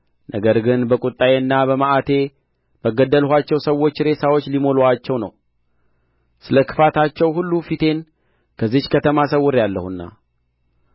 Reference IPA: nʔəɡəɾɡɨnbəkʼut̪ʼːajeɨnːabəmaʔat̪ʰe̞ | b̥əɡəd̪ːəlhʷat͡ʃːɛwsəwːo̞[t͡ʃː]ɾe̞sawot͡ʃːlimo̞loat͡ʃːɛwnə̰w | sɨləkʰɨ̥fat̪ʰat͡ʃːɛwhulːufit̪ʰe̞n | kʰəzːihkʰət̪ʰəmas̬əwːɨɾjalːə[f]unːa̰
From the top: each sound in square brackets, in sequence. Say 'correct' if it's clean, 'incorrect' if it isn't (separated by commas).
correct, incorrect